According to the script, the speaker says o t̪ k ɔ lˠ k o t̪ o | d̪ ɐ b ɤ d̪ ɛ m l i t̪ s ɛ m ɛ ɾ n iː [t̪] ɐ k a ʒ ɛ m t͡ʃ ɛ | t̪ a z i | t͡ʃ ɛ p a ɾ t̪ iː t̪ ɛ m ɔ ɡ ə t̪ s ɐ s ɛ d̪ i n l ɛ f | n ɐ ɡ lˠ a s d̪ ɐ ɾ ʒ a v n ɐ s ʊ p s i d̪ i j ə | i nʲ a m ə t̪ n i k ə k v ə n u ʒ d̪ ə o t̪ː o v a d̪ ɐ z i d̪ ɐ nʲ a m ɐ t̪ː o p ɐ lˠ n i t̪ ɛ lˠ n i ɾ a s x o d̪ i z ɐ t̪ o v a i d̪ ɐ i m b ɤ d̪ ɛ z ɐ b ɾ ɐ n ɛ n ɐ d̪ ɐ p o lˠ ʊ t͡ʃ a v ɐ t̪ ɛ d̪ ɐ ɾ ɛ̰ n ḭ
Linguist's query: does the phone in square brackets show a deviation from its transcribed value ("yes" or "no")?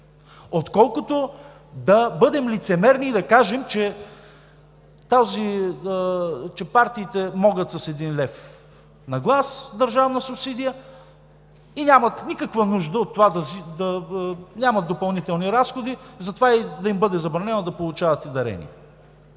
yes